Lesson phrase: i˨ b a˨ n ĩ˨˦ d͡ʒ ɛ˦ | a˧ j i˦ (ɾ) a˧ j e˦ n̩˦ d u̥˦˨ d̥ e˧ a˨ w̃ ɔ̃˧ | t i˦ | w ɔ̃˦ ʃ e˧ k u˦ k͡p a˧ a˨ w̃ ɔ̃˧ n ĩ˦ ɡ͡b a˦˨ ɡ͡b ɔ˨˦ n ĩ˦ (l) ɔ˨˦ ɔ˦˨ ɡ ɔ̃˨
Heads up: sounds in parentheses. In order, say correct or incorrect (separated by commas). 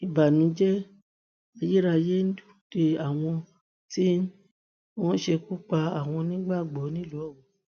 correct, correct